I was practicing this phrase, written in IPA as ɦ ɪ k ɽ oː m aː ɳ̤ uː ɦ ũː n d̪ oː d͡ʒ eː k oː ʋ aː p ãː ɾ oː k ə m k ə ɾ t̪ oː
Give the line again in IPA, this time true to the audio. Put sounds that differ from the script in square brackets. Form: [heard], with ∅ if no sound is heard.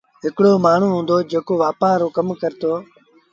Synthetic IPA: ɦ ɪ k ɽ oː m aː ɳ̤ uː ɦ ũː n d̪ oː d͡ʒ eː k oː ʋ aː p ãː ɾ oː k ə m k ə ɾ t̪ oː